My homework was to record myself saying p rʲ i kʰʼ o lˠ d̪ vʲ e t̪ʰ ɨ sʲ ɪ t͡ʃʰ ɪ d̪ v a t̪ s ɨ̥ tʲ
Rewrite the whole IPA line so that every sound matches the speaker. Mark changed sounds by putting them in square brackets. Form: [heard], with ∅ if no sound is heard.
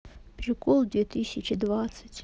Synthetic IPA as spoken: p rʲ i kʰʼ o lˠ d̪ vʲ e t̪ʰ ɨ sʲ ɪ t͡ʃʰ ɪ d̪ v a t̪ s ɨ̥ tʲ